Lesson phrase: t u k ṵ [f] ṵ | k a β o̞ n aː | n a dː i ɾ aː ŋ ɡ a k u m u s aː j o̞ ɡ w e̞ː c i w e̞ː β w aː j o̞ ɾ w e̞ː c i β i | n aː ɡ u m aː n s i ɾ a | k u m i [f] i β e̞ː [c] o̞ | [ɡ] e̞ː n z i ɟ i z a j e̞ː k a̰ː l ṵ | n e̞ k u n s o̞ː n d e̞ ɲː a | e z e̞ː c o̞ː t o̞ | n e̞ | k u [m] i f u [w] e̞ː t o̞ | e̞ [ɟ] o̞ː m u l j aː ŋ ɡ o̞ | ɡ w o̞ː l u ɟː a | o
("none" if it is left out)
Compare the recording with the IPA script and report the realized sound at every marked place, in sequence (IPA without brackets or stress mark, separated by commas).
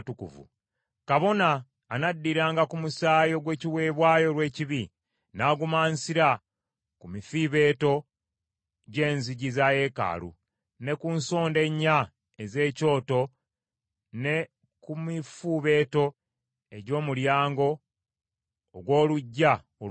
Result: v, f, t, ɟ, m, β, ɟ